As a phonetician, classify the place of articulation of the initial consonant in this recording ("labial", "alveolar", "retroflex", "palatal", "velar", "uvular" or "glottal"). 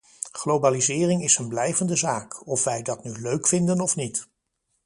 uvular